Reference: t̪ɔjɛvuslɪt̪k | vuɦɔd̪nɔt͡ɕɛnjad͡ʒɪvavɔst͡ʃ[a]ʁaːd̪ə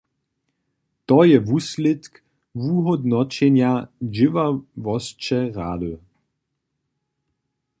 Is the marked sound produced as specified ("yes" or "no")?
no